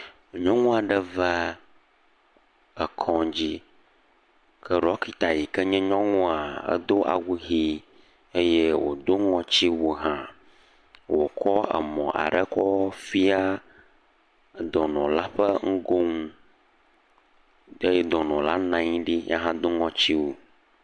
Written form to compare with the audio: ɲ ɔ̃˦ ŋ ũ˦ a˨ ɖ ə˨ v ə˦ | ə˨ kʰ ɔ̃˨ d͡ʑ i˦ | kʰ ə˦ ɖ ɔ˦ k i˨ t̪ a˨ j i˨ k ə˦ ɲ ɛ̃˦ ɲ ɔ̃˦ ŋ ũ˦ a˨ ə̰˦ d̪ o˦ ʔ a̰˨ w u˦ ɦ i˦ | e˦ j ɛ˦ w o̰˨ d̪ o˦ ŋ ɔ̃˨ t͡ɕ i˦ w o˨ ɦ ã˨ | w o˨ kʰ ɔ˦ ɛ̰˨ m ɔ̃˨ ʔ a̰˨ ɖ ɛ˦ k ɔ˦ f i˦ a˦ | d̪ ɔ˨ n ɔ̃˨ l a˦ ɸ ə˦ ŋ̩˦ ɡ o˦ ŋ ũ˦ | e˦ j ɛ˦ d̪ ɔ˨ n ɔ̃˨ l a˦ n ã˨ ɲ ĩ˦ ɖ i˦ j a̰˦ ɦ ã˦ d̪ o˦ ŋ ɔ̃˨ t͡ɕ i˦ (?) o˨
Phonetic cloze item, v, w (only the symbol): w